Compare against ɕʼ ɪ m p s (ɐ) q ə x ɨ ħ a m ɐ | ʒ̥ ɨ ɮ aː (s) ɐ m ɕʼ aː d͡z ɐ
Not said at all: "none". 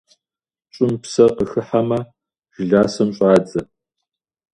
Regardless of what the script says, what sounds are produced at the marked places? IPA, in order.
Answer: ɐ, s

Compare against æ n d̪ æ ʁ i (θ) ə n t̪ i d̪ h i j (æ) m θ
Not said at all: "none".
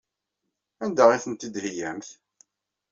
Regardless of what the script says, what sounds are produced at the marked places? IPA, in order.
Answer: θ, æ

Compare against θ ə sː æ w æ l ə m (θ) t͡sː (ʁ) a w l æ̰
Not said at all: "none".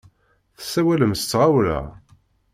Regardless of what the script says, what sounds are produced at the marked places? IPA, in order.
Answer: s, ʁ

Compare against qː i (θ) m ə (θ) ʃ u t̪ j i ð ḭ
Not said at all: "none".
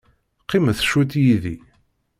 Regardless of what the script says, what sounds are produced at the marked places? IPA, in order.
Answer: none, θ

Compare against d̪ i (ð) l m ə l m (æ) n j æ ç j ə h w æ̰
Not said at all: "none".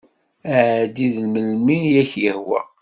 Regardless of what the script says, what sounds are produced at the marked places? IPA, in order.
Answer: ð, i

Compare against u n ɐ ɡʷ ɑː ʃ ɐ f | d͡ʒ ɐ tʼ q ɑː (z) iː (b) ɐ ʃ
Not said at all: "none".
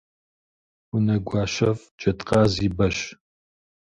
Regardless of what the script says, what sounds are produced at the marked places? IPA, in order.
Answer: z, b

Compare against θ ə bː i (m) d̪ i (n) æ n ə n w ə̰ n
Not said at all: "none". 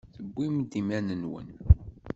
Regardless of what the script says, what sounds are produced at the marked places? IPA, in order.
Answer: m, m

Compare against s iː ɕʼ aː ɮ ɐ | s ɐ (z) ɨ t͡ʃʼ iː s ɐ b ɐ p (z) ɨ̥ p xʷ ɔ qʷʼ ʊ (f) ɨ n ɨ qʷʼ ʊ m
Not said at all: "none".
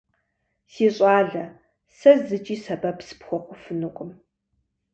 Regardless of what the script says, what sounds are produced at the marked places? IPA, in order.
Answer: z, s, f

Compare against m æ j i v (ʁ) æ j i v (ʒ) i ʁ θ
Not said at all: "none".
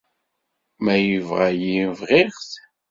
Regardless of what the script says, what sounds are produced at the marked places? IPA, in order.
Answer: ʁ, ʁ

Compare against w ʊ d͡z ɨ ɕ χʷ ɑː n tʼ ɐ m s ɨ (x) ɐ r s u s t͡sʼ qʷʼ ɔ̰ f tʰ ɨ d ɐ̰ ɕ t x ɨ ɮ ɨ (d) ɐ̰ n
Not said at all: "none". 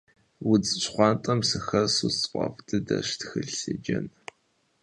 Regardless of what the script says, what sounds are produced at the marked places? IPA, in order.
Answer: x, d͡ʒ

